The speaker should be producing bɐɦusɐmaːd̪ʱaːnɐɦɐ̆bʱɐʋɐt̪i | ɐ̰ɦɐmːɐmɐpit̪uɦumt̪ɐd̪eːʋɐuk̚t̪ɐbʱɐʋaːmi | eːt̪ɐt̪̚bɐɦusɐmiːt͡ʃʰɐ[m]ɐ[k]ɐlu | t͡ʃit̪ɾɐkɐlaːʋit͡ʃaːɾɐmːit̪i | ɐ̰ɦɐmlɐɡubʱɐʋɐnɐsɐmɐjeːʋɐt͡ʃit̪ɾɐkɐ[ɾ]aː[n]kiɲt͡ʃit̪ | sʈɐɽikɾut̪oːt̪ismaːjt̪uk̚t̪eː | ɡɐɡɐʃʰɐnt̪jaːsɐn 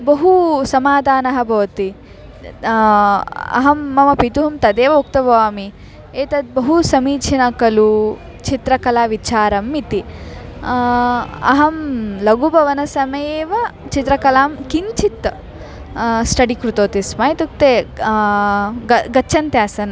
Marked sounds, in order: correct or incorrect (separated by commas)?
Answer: incorrect, correct, incorrect, incorrect